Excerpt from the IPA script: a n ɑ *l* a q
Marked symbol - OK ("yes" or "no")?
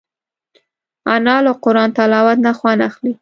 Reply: yes